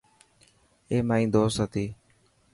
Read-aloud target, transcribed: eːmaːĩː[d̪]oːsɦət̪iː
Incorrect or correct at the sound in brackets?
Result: correct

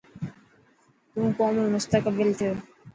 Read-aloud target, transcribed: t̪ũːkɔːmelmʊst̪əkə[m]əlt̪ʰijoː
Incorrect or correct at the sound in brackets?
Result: incorrect: b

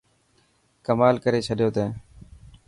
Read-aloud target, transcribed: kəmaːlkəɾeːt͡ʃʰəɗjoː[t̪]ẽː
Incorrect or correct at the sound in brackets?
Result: correct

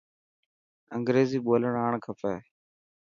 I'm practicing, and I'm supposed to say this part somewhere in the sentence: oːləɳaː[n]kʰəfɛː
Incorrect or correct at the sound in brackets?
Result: incorrect: ɳ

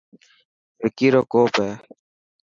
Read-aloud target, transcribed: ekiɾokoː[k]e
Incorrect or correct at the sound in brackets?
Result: incorrect: p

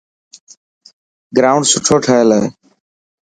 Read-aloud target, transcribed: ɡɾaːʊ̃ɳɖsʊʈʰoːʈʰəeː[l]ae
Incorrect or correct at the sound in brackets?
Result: correct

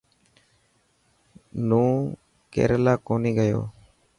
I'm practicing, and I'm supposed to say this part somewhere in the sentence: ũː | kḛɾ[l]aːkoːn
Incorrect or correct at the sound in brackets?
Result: correct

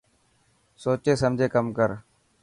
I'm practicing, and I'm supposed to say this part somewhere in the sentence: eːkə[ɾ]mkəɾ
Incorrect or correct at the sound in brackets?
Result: incorrect: none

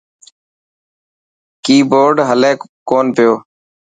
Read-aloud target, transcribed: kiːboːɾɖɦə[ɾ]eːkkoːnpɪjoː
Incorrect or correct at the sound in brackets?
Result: incorrect: l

